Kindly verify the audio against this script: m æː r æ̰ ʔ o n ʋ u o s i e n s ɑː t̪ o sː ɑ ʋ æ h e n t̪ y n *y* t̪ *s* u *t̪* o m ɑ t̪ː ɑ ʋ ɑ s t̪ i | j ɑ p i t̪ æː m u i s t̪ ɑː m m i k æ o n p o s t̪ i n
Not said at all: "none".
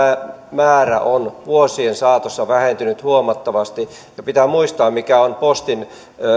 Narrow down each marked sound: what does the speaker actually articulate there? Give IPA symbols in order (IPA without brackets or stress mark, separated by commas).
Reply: y, h, none